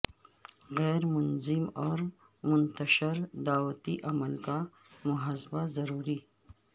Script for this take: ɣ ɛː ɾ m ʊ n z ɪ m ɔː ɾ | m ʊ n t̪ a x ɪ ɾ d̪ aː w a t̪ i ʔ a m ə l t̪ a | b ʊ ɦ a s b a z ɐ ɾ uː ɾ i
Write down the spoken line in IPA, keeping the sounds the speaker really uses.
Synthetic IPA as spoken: ɣ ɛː ɾ m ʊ n z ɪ m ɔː ɾ | m ʊ n t̪ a ʃ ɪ ɾ d̪ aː w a t̪ i ʔ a m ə l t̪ a | m ʊ ɦ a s b a z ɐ ɾ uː ɾ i